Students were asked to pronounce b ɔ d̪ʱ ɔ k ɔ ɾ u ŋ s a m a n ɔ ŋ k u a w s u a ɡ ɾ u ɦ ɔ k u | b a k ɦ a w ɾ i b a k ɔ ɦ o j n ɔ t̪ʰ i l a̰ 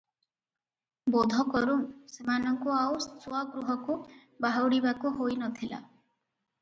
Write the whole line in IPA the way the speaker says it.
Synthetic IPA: b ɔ d̪ʱ ɔ k ɔ ɾ u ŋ s e m a n ɔ ŋ k u a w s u a ɡ ɾ u ɦ ɔ k u | b a ɦ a w ɽ i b a k u ɦ o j n ɔ t̪ʰ i l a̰